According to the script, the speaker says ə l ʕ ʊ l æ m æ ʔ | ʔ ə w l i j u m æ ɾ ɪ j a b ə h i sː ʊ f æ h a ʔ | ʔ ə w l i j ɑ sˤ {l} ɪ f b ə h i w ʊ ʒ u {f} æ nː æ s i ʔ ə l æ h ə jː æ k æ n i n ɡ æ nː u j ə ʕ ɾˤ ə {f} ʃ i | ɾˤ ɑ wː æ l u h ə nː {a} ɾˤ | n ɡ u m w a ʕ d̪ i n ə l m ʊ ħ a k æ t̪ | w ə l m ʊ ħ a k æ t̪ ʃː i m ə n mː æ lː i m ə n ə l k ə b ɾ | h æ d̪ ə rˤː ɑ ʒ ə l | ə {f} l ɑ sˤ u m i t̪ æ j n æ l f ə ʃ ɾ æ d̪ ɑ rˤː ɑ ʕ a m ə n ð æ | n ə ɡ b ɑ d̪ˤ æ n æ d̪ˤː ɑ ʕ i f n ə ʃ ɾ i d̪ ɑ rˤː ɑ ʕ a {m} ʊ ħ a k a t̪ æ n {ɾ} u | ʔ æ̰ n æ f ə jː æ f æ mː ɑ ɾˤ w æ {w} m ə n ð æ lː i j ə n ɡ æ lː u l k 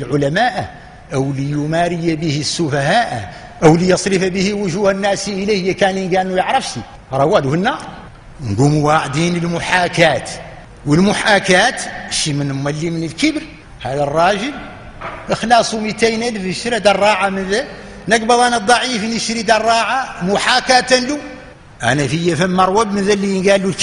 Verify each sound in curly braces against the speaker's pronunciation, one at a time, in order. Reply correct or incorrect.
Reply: incorrect, incorrect, correct, incorrect, incorrect, correct, incorrect, incorrect

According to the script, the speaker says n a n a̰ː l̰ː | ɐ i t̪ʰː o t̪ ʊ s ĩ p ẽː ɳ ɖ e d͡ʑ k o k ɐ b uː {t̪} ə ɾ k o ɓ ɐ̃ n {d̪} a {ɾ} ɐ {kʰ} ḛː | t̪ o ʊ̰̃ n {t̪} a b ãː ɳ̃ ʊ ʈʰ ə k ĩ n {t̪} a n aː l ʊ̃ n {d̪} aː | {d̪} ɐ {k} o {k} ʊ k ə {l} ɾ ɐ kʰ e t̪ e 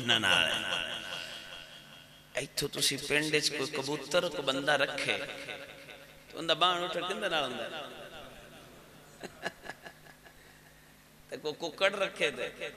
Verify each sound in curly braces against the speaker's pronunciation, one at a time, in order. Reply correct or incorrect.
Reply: correct, correct, correct, correct, incorrect, incorrect, correct, incorrect, correct, correct, incorrect

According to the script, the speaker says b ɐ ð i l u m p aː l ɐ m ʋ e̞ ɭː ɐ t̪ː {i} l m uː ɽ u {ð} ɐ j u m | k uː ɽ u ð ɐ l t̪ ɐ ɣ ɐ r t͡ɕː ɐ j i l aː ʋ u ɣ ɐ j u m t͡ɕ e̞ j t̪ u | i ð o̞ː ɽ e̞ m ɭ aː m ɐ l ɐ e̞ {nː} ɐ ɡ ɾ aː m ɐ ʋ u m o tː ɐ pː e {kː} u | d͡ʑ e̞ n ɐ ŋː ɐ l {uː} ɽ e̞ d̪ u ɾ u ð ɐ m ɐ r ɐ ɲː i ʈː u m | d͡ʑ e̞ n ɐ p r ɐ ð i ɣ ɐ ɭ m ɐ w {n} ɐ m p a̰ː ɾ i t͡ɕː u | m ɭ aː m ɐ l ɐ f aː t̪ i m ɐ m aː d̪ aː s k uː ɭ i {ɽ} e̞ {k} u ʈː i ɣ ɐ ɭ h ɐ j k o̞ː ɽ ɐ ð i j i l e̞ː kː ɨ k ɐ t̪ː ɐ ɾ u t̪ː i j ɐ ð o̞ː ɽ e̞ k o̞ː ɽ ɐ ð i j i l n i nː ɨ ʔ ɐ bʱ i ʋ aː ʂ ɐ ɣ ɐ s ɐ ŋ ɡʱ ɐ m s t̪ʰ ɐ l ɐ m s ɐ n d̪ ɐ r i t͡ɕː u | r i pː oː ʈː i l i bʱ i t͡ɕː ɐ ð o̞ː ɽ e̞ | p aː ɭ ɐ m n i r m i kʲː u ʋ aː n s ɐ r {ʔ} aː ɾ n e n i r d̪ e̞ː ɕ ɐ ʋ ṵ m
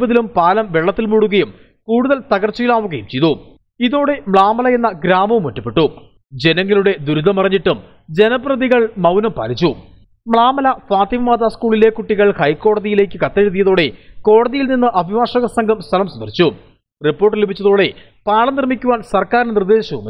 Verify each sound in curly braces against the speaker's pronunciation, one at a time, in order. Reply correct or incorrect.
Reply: correct, incorrect, correct, incorrect, incorrect, correct, incorrect, correct, incorrect

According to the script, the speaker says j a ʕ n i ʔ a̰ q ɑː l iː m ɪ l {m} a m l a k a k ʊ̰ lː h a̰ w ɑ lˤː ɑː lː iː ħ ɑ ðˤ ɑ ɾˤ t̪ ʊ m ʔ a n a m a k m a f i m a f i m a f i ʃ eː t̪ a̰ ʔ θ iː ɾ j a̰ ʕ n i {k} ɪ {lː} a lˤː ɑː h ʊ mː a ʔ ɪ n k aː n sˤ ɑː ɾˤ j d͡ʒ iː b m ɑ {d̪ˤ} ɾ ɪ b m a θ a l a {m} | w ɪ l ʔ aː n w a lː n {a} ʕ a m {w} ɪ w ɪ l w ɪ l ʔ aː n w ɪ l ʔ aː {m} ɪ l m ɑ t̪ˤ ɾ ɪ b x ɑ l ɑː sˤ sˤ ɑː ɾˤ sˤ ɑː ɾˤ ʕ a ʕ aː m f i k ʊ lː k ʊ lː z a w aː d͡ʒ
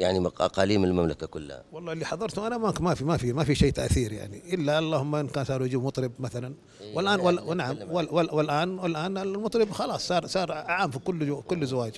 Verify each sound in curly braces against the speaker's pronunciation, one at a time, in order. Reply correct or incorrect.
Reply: correct, incorrect, correct, incorrect, incorrect, correct, correct, incorrect

